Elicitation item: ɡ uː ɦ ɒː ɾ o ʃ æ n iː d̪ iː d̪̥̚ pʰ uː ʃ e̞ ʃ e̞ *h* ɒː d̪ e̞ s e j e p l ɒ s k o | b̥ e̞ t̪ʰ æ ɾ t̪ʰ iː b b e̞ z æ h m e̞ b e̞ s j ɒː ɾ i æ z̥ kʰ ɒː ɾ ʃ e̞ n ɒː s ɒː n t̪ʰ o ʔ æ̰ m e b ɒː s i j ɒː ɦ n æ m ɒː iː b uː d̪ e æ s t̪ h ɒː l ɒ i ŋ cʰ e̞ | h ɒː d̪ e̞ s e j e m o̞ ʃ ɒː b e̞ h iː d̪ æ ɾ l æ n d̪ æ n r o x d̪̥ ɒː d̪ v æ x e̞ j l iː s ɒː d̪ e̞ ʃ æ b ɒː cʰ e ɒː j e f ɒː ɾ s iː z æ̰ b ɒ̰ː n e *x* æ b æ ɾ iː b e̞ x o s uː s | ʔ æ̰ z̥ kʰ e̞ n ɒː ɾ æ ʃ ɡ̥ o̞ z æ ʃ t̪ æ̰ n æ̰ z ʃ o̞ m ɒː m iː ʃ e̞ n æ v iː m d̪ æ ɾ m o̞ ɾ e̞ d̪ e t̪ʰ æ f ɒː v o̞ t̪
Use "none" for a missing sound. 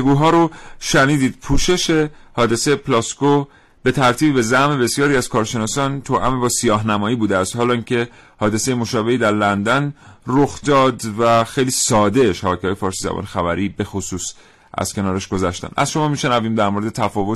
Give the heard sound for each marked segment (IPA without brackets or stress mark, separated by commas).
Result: h, x